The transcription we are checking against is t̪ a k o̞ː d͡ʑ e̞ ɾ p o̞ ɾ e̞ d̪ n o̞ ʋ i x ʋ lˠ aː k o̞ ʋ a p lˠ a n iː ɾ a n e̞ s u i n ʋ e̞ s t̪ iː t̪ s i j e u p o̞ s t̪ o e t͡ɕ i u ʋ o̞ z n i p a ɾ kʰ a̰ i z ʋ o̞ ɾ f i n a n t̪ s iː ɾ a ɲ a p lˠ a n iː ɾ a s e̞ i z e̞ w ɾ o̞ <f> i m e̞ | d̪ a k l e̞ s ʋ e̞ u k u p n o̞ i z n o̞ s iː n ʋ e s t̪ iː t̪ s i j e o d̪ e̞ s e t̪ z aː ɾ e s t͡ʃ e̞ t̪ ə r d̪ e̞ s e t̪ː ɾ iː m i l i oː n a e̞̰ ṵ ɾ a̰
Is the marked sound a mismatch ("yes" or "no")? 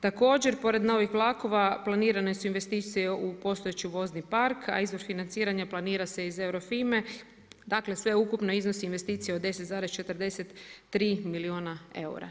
no